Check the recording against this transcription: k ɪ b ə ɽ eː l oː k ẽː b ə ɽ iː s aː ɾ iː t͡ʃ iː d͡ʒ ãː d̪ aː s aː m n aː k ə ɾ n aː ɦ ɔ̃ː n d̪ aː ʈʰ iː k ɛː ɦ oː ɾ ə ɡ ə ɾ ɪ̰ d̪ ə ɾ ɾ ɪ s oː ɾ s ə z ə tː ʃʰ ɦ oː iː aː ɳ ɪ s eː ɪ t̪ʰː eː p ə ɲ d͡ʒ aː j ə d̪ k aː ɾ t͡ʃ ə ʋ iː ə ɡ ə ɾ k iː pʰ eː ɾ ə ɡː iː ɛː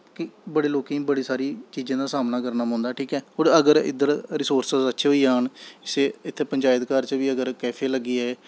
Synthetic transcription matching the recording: k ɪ b ə ɽ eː l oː k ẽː b ə ɽ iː s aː ɾ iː t͡ʃ iː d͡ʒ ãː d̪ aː s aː m n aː k ə ɾ n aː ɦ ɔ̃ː n d̪ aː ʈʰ iː k ɛː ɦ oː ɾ ə ɡ ə ɾ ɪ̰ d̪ ə ɾ ɾ ɪ s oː ɾ s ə z ə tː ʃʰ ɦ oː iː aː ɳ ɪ s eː ɪ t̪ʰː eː p ə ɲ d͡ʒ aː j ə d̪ k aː ɾ t͡ʃ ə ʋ iː ə ɡ ə ɾ k ɛː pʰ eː l ə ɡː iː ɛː